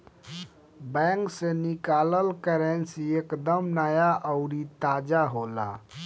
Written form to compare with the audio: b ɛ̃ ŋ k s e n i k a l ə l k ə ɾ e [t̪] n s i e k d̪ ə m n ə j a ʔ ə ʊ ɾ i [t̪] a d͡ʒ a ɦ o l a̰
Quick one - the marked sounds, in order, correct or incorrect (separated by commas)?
incorrect, correct